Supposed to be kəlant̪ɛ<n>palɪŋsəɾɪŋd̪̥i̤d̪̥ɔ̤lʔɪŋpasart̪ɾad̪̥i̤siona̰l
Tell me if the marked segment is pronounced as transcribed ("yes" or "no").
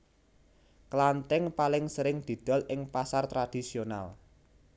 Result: no